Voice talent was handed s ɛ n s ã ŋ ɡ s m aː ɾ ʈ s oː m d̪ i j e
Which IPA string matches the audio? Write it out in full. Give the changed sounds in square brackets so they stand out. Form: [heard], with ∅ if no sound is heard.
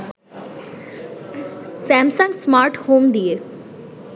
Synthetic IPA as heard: s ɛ [m] s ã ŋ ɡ s m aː ɾ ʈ [h] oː m d̪ i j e